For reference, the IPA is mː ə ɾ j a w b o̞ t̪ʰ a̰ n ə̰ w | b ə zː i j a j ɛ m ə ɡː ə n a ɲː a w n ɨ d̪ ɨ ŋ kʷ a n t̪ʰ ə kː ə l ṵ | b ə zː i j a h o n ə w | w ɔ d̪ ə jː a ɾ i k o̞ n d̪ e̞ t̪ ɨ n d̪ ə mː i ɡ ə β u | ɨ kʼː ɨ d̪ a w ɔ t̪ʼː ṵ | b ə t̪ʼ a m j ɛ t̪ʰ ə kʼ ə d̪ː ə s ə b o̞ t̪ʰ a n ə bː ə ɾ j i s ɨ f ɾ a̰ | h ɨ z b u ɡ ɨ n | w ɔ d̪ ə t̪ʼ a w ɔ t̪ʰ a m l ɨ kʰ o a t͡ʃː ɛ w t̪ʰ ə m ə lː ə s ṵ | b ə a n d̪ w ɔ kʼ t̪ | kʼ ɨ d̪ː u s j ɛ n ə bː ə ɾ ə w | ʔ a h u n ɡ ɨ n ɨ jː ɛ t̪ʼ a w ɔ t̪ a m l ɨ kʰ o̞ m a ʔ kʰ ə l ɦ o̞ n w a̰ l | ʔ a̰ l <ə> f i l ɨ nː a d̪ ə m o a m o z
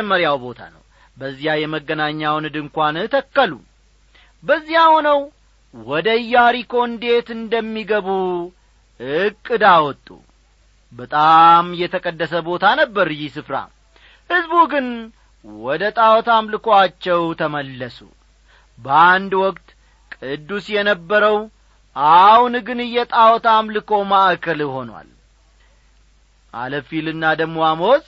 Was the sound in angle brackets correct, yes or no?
yes